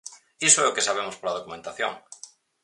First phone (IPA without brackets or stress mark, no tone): i